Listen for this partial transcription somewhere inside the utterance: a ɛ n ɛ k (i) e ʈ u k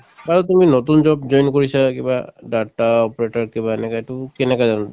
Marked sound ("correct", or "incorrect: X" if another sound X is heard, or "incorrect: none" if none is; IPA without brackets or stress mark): incorrect: a